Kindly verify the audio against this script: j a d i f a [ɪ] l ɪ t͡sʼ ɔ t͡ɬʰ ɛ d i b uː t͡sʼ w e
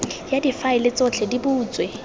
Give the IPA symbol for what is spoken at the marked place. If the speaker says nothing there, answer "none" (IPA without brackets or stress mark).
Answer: ɪ